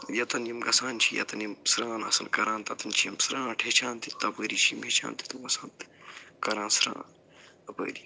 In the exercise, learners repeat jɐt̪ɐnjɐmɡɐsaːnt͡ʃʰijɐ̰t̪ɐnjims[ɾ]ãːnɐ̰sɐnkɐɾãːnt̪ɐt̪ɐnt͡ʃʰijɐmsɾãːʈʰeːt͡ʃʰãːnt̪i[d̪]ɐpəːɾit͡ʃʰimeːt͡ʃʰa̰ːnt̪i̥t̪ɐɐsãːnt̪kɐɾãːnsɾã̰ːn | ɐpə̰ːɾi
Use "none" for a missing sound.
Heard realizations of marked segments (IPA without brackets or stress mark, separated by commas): ɾ, t̪